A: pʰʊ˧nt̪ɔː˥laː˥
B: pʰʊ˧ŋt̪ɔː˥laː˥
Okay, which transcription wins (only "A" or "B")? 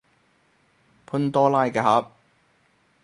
A